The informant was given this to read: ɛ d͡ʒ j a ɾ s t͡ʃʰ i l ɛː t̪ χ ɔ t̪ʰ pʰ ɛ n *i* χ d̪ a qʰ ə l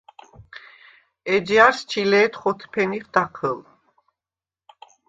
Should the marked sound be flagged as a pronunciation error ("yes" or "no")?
no